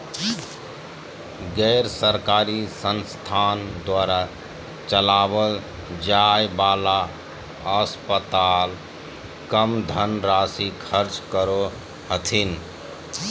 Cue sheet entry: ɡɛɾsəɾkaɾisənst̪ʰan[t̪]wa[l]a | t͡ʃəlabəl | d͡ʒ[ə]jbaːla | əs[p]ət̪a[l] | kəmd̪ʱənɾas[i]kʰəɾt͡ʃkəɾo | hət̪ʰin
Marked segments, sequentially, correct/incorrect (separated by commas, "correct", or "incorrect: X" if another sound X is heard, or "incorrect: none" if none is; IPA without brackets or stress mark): incorrect: d̪, incorrect: ɾ, incorrect: a, correct, correct, correct